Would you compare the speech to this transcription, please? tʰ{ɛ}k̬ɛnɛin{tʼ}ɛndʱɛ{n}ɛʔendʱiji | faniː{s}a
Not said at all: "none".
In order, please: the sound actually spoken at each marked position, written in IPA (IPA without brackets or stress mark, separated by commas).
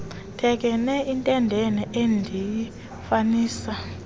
ɛ, tʼ, n, s